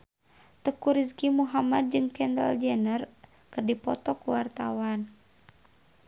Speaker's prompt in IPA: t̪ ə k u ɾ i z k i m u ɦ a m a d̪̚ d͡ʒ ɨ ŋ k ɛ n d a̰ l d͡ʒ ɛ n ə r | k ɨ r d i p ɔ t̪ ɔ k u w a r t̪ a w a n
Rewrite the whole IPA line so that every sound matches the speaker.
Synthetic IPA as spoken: t̪ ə k u ɾ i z k i m u ɦ a m a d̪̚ d͡ʒ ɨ ŋ k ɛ n d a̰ l d͡ʒ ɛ n ə r | k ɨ r d i p ɔ t̪ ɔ k u w a r t̪ a w a n